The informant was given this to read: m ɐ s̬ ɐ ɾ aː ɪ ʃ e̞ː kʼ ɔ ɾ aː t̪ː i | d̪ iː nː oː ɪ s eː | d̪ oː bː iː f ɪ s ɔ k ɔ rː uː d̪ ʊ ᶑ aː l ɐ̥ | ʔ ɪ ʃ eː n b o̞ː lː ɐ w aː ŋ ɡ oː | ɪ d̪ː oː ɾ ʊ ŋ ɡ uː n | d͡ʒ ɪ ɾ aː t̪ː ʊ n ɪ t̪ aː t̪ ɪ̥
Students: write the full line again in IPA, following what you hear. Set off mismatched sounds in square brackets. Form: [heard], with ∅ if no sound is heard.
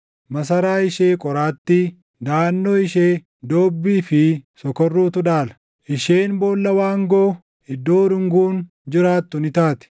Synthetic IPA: m ɐ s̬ ɐ ɾ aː ɪ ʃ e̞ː kʼ ɔ ɾ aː t̪ː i | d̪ [aː] nː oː ɪ [ʃ] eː | d̪ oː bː iː f ɪ s ɔ k ɔ rː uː [t̪] ʊ ᶑ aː l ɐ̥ | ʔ ɪ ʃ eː n b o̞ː lː ɐ w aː ŋ ɡ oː | ɪ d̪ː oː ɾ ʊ ŋ ɡ uː n | d͡ʒ ɪ ɾ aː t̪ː ʊ n ɪ t̪ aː t̪ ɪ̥